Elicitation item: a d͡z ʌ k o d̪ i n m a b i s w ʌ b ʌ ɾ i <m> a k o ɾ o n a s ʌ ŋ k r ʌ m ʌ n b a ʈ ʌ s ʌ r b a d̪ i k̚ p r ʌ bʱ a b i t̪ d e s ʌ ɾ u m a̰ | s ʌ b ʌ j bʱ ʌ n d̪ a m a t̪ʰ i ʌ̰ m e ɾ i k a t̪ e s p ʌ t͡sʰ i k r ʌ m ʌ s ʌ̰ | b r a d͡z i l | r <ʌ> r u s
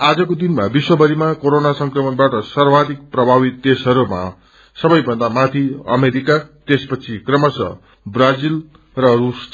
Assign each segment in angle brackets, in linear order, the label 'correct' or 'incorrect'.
correct, correct

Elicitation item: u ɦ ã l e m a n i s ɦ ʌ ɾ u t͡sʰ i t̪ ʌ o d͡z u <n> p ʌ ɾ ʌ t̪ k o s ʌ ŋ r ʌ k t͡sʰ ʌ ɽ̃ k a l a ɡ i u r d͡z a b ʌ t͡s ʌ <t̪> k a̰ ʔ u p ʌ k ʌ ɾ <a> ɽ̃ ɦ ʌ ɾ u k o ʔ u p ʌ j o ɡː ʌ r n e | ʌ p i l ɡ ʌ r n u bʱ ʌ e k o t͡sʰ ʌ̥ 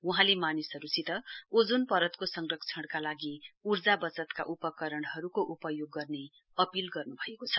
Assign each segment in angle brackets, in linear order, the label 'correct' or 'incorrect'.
correct, correct, incorrect

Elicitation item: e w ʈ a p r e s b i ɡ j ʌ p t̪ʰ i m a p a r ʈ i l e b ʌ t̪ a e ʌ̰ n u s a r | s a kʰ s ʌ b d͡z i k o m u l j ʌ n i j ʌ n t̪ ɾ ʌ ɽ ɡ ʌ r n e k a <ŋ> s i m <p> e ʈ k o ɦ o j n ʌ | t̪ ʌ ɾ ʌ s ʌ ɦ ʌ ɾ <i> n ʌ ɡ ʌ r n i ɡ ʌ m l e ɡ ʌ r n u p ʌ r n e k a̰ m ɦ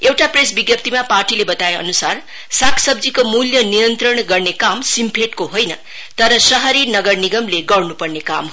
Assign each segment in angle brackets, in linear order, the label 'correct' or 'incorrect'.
incorrect, incorrect, correct

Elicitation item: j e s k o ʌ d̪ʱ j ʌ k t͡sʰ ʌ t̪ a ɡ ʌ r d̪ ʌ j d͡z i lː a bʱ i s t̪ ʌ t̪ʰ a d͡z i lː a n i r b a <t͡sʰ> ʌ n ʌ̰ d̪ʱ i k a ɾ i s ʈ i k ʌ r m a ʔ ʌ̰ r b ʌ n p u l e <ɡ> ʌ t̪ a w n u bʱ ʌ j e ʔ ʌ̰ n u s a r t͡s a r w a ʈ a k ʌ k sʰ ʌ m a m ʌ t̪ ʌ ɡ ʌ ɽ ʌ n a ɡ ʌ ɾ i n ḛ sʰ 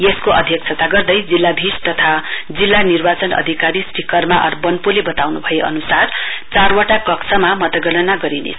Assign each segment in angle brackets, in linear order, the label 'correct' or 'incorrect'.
incorrect, incorrect

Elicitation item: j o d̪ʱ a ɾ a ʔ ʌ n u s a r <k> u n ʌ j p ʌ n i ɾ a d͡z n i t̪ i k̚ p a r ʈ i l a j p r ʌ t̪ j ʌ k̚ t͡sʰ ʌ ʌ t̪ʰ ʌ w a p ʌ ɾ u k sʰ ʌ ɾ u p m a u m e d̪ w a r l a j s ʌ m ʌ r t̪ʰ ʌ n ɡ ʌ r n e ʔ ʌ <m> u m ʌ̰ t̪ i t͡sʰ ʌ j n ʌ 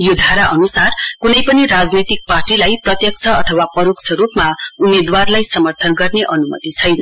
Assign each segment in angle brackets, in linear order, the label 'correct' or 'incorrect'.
correct, incorrect

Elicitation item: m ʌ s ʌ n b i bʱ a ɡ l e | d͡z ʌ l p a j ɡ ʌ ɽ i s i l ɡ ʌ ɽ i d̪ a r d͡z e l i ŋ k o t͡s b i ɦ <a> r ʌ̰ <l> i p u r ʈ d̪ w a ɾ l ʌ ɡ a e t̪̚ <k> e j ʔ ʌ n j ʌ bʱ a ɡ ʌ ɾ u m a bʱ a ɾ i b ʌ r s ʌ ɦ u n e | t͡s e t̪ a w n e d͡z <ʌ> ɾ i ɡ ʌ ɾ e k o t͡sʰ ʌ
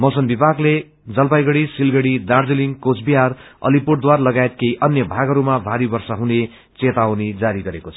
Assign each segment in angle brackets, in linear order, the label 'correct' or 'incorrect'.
correct, correct, correct, incorrect

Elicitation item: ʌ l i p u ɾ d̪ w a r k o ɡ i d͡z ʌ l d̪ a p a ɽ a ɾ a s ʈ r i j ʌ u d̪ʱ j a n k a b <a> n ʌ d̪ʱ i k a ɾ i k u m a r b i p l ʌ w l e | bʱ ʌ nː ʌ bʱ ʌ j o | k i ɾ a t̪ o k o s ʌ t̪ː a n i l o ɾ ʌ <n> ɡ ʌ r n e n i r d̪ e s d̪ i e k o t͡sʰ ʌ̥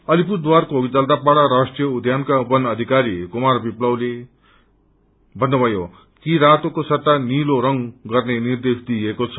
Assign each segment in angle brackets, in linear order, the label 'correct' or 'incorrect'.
incorrect, incorrect

